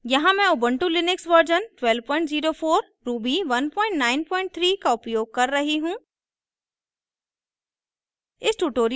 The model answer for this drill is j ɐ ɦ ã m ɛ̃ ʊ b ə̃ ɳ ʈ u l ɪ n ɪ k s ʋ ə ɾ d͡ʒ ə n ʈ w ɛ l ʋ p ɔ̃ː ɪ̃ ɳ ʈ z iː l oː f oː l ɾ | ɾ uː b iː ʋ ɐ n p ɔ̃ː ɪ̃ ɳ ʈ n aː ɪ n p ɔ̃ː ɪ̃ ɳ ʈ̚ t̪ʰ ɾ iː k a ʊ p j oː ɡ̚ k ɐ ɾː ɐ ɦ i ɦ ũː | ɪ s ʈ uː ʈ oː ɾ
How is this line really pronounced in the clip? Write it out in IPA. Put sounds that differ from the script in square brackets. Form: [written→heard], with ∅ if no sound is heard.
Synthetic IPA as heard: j ɐ ɦ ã m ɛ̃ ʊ b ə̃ ɳ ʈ u l ɪ n ɪ k s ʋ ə ɾ d͡ʒ ə n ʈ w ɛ l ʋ p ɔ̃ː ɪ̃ ɳ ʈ z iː [l→ɾ] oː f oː [l→∅] ɾ | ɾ uː b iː ʋ ɐ n p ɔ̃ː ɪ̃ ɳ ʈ n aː ɪ n p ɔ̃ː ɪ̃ ɳ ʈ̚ t̪ʰ ɾ iː k a ʊ p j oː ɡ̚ k ɐ ɾː ɐ ɦ i ɦ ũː | ɪ s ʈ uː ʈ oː ɾ